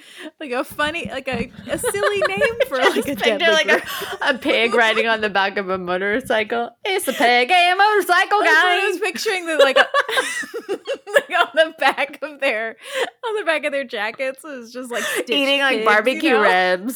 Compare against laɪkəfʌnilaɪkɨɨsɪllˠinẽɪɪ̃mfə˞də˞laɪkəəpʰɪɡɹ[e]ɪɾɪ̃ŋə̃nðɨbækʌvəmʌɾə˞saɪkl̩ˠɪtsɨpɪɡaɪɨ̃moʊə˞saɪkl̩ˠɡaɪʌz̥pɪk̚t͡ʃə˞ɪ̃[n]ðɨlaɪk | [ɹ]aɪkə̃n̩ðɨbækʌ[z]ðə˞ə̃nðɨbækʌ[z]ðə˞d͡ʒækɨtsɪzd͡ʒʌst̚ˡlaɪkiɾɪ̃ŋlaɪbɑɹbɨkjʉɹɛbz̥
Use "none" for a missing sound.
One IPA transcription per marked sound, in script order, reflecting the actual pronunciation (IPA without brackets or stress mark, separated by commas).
a, ŋ, l, v, v